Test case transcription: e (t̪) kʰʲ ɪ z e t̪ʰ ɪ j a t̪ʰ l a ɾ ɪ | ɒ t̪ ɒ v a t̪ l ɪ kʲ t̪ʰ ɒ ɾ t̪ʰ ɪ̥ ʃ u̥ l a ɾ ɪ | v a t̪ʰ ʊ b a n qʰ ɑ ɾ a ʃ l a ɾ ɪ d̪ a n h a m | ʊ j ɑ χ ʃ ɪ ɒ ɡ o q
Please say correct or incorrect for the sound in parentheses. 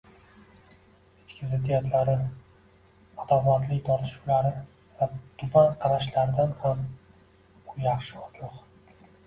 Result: correct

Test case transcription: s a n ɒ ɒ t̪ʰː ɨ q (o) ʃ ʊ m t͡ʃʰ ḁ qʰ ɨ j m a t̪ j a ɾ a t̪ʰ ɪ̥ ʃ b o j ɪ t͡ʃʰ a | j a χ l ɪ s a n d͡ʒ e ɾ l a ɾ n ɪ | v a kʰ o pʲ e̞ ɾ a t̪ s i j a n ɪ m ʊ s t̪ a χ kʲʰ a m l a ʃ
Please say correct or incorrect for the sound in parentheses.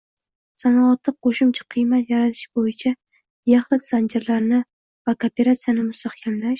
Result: correct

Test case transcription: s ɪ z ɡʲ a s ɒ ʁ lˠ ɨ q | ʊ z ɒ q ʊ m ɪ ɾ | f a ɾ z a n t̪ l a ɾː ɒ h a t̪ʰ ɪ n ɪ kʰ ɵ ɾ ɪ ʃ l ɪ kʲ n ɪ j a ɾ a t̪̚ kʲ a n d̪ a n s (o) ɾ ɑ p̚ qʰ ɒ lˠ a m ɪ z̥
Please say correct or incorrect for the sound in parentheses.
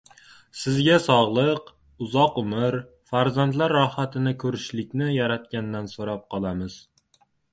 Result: correct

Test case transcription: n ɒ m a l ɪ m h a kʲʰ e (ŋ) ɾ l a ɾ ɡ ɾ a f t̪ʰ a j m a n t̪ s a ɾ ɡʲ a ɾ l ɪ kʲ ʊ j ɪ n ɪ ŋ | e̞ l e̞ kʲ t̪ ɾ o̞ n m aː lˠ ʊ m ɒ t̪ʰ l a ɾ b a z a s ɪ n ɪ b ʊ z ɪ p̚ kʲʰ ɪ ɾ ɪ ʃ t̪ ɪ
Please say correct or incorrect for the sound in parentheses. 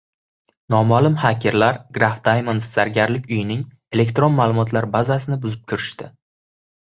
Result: incorrect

